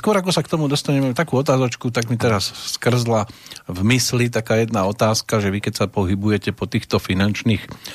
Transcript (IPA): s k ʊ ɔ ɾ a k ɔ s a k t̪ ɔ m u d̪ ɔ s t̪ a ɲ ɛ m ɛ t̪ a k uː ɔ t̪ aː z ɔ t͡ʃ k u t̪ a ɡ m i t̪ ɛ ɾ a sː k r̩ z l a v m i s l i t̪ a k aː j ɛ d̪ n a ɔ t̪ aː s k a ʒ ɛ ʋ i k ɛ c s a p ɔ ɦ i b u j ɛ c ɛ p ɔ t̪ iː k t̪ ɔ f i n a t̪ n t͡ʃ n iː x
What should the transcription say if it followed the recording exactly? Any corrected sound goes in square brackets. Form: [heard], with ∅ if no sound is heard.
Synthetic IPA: s k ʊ ɔ ɾ a k ɔ s a k t̪ ɔ m u d̪ ɔ s t̪ a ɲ ɛ m ɛ t̪ a k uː ɔ t̪ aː z ɔ t͡ʃ k u t̪ a ɡ m i t̪ ɛ ɾ a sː k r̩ z l a v m i s l i t̪ a k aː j ɛ d̪ n a ɔ t̪ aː s k a ʒ ɛ ʋ i k ɛ c s a p ɔ ɦ i b u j ɛ c ɛ p ɔ t̪ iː [x] t̪ ɔ f i n a [∅] n t͡ʃ n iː x